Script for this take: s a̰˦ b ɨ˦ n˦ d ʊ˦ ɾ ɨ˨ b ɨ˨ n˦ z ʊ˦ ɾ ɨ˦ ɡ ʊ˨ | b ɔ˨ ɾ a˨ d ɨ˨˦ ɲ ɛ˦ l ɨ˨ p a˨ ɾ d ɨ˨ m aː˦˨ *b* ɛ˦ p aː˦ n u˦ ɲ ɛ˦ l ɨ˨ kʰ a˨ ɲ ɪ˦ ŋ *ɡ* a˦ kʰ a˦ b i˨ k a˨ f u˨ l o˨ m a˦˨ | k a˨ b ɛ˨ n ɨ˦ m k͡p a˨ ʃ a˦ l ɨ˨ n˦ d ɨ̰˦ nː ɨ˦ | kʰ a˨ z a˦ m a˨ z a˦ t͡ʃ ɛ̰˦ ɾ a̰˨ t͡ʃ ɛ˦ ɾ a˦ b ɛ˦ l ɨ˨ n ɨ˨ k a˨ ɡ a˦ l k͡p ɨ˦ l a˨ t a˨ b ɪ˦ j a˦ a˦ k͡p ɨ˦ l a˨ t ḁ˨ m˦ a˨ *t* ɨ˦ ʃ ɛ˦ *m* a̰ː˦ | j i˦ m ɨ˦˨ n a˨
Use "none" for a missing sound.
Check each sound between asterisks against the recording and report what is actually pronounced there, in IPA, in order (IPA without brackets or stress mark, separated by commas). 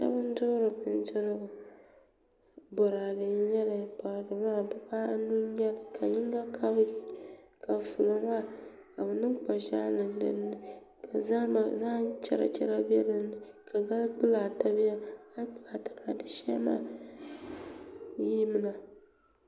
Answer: b, ɡ, d, m